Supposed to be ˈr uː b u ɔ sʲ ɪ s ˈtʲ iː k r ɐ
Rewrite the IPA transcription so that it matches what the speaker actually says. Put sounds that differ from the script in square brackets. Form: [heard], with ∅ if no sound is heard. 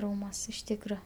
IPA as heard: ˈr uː [m] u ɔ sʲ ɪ [ʃ] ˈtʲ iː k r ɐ